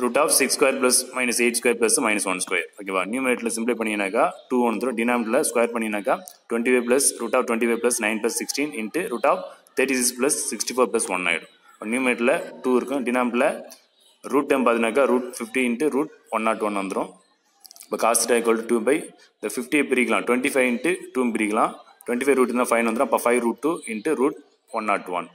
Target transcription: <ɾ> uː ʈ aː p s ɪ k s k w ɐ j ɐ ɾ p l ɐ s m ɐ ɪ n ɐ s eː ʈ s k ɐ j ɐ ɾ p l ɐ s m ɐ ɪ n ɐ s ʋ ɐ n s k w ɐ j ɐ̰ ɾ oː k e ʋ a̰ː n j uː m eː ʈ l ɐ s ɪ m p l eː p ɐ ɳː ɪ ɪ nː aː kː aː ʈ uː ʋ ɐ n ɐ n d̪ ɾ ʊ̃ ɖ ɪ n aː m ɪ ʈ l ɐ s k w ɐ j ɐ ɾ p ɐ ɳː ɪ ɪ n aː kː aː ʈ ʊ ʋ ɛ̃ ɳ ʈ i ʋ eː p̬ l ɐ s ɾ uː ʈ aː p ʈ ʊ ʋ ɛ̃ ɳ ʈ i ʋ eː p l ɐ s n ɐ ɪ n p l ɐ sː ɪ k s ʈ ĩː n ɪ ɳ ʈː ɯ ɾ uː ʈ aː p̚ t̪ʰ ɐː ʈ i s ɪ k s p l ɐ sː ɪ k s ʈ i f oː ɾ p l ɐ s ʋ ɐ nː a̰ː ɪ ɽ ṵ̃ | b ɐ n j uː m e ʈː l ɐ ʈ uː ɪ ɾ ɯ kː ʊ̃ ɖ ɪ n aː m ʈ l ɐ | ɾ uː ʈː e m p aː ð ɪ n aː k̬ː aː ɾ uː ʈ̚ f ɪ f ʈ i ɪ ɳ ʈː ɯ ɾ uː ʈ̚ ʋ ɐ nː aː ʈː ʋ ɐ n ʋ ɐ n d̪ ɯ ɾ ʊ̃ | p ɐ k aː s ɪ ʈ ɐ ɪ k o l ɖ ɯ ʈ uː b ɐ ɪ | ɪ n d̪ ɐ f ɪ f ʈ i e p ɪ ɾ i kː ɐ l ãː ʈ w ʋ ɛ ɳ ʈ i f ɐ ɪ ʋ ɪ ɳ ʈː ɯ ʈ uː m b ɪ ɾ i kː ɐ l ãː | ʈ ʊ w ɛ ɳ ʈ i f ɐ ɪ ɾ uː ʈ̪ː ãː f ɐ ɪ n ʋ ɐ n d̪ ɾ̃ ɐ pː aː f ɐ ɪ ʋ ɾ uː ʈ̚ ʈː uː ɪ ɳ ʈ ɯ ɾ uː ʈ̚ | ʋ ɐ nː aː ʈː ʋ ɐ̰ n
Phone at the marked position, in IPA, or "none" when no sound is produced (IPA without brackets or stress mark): ɾ